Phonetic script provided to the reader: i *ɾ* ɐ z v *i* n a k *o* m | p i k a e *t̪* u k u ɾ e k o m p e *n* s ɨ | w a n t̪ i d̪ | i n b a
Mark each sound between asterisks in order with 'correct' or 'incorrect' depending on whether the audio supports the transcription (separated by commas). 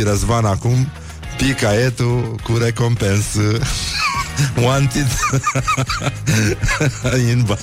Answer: correct, incorrect, incorrect, correct, correct